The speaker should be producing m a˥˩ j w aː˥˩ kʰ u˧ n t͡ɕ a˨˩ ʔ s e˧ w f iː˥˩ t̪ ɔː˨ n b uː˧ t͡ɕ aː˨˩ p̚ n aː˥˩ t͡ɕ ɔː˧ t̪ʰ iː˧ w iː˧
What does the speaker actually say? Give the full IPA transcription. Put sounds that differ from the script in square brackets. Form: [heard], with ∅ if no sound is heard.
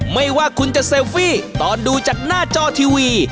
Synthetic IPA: m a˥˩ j w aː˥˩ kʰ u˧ n t͡ɕ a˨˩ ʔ s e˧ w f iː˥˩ t̪ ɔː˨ n [d] uː˧ t͡ɕ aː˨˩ [k̚] n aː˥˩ t͡ɕ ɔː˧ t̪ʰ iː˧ w iː˧

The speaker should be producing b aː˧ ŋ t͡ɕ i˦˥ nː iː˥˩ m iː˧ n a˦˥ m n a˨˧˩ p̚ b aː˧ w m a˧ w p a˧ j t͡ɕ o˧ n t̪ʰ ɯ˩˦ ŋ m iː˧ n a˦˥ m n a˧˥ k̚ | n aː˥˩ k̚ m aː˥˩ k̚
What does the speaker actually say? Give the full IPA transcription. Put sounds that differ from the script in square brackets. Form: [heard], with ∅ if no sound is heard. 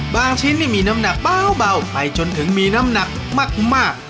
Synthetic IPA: b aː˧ ŋ [t͡ɕʰ] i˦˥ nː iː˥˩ m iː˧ n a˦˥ m n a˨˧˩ [k̚] b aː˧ w [b] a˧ w p a˧ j t͡ɕ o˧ n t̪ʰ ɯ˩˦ ŋ m iː˧ n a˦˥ m n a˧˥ k̚ | [m] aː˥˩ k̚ m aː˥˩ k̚

